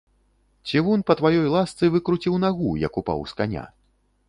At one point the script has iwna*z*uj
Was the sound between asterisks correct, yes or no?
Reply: no